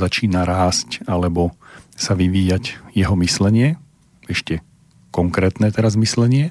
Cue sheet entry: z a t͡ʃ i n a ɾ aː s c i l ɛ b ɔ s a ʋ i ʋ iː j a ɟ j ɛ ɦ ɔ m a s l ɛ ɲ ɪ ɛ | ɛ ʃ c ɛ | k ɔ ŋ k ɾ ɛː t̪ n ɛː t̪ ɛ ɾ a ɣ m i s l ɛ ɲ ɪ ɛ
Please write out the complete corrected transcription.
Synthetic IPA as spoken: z a t͡ʃ iː n a ɾ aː s c a l ɛ b ɔ s a ʋ i ʋ iː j a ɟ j ɛ ɦ ɔ m i s l ɛ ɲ ɪ ɛ | ɛ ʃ c ɛ | k ɔ ŋ k ɾ ɛː t̪ n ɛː t̪ ɛ ɾ a z m i s l ɛ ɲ ɪ ɛ